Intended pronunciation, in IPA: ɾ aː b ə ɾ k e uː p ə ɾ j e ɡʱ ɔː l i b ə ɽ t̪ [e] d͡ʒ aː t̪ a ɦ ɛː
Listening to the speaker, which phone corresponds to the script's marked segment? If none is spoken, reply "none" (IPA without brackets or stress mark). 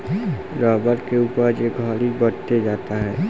e